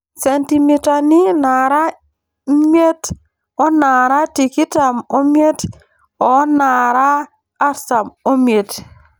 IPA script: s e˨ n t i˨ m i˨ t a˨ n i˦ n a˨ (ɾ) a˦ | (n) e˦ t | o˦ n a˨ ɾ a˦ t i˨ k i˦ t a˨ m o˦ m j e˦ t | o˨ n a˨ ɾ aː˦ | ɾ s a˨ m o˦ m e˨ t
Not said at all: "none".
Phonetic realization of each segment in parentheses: ɾ, m

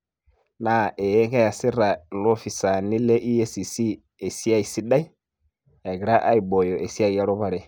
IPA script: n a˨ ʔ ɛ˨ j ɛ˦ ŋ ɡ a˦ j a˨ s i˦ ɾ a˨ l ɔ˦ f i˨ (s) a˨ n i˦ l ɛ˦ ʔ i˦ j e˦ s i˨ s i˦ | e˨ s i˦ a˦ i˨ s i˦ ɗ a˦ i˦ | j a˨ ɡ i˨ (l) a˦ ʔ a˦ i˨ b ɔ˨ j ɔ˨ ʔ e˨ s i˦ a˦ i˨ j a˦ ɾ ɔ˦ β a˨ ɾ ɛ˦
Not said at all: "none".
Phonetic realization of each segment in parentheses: s, ɾ

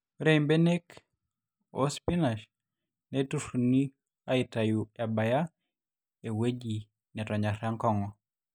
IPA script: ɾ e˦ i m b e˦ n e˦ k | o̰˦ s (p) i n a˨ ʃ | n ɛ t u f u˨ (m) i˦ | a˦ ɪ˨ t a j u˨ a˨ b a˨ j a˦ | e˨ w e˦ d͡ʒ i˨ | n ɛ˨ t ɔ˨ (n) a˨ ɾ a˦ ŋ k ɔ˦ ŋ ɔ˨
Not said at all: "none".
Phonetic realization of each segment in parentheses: p, n, ɲ

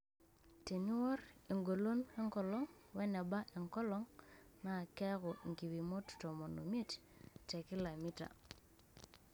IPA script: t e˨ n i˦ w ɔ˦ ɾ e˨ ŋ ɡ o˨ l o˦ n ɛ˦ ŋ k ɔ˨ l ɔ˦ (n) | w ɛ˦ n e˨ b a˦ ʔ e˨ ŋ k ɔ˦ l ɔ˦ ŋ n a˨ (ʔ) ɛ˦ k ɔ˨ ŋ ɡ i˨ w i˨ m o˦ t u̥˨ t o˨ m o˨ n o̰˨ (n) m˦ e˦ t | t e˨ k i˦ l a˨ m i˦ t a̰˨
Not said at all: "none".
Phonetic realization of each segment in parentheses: ŋ, k, none

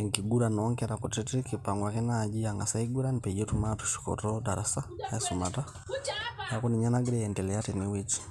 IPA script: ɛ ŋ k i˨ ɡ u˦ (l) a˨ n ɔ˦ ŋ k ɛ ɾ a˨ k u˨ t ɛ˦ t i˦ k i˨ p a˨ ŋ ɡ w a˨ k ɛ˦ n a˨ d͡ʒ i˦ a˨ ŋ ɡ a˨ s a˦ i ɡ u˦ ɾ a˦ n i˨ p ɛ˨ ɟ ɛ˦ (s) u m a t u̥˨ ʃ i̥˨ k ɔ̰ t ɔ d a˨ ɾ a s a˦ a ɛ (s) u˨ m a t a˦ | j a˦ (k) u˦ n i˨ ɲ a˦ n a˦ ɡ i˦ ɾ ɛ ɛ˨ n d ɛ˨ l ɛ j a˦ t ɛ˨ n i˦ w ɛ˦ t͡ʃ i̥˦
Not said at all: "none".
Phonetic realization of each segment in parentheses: ɾ, t, s, k

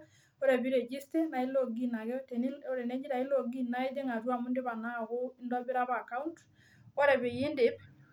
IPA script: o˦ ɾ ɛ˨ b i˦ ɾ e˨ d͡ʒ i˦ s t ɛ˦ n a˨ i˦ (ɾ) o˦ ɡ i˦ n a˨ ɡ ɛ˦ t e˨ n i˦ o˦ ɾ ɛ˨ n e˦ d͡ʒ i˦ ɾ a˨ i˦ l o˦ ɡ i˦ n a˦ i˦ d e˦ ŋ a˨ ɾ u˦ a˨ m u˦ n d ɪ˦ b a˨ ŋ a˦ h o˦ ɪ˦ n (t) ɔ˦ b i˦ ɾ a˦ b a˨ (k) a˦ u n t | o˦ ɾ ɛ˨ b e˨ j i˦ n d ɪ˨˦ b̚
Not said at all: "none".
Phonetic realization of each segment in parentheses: l, d, k

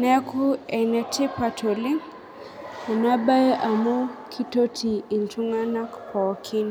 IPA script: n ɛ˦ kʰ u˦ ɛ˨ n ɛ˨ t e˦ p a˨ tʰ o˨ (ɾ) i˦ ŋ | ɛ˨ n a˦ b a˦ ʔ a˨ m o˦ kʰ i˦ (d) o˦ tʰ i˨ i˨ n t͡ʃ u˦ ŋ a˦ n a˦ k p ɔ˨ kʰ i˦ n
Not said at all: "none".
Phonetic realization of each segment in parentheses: l, t

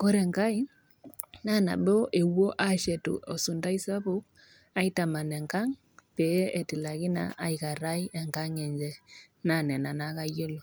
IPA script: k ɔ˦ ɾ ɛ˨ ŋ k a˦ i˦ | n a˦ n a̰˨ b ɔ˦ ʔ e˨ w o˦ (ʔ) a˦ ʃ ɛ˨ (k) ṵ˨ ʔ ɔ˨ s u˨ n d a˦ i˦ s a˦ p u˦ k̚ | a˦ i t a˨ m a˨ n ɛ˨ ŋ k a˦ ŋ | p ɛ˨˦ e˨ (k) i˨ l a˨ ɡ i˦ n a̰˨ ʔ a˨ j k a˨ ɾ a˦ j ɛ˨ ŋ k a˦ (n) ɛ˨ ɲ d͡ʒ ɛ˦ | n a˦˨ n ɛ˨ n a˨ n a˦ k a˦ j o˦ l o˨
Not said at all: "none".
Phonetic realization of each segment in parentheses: ʔ, t, t, ŋ

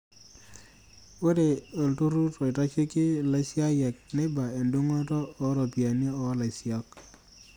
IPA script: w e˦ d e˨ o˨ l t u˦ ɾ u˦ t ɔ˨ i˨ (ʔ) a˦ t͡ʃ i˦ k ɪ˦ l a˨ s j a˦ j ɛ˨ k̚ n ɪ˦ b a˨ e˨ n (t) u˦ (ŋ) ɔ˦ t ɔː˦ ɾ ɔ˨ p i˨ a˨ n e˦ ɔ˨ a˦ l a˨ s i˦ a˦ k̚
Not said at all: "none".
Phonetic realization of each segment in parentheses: t, d, ŋ

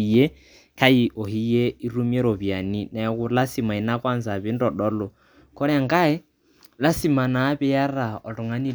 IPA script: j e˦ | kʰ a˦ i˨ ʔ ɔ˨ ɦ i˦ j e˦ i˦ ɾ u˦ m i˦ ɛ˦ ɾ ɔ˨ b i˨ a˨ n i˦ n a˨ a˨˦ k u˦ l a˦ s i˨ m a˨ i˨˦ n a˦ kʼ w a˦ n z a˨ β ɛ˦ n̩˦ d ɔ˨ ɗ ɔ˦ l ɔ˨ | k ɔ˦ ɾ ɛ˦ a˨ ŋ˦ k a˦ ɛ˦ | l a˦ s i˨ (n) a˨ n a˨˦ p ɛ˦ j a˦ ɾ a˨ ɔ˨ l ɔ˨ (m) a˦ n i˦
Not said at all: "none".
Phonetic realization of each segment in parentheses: m, ŋ

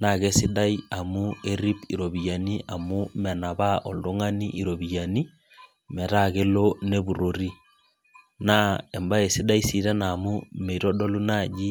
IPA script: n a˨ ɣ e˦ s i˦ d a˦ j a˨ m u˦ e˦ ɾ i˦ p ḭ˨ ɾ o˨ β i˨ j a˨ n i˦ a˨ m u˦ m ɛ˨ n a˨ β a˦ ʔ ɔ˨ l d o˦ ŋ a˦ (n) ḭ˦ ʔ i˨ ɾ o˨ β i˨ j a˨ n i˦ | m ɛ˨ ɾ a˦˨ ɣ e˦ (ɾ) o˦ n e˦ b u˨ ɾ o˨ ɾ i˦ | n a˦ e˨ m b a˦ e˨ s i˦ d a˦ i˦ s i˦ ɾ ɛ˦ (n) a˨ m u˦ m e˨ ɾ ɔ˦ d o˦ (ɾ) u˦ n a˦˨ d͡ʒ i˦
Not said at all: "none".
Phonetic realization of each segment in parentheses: n, l, n, l

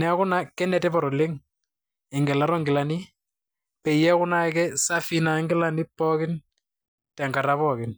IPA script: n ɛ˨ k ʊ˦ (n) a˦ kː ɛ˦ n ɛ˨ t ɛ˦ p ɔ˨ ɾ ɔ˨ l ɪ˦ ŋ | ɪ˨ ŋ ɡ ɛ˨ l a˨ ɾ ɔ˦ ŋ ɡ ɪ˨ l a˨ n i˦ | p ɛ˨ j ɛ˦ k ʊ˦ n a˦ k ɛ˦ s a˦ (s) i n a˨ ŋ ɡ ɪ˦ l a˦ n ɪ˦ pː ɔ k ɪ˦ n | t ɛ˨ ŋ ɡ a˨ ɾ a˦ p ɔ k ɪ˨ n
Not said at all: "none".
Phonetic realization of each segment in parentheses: n, f

